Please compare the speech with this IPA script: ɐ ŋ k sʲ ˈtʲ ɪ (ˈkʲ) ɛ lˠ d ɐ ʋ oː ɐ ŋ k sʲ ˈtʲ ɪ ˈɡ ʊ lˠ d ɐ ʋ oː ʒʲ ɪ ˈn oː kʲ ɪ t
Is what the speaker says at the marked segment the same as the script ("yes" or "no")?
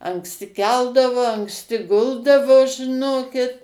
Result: yes